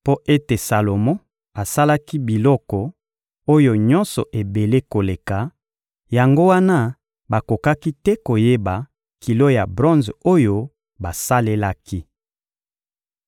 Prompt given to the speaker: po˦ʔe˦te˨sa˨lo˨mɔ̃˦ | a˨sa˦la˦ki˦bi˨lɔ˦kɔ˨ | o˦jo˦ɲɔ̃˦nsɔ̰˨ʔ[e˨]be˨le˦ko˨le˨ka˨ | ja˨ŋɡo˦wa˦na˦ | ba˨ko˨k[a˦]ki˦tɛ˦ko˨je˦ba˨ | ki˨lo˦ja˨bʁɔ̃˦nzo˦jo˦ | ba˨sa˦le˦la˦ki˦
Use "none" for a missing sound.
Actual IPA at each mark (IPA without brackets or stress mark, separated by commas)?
e˨, a˦